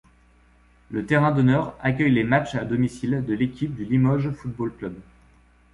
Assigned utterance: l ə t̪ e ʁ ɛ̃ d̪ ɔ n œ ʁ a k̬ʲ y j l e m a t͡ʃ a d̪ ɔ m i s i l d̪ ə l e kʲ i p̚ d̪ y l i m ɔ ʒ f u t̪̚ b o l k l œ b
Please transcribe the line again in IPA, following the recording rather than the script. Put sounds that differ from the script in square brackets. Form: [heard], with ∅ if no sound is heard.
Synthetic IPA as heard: l ə t̪ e ʁ ɛ̃ d̪ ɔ n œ ʁ a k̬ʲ [œ] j l e m a t͡ʃ a d̪ ɔ m i s i l d̪ ə l e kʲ i p̚ d̪ y l i m ɔ ʒ f u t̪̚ b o l k l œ b